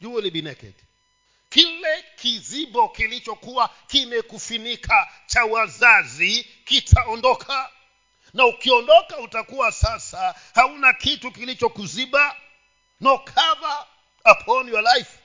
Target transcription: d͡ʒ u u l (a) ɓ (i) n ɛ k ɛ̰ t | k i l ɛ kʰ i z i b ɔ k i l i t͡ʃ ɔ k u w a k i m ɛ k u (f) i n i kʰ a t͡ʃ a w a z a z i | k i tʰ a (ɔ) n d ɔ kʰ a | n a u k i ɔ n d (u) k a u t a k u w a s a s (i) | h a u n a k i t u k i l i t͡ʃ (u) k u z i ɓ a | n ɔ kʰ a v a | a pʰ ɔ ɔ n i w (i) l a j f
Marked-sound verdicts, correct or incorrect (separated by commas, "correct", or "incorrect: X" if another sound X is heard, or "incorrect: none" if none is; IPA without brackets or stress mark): incorrect: i, correct, correct, correct, incorrect: ɔ, incorrect: a, incorrect: ɔ, incorrect: a